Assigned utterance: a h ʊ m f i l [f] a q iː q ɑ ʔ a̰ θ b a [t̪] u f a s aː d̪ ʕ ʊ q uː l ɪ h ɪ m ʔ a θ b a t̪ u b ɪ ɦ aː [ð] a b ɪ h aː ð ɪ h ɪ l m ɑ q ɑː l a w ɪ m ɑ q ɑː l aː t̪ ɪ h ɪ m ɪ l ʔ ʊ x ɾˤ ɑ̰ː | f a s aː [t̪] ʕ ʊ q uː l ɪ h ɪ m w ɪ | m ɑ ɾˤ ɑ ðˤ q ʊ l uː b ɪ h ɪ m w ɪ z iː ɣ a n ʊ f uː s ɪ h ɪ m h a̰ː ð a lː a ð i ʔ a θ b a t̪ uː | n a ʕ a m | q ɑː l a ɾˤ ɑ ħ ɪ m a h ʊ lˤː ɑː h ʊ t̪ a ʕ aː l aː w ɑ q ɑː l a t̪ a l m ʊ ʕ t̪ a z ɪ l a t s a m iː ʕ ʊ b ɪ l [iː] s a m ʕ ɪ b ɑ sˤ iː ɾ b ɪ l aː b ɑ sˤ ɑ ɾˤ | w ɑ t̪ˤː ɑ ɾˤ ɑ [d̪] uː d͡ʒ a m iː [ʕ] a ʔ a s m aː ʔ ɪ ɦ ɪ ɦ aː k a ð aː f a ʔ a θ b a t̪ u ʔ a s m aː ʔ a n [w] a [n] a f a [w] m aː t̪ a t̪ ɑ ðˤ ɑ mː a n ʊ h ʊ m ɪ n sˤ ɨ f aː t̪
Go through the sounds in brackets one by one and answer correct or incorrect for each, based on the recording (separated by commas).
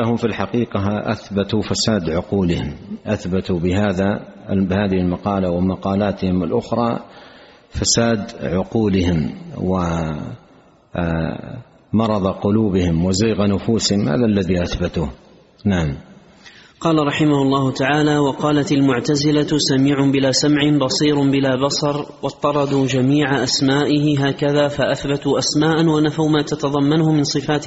incorrect, correct, correct, incorrect, incorrect, correct, correct, correct, correct, correct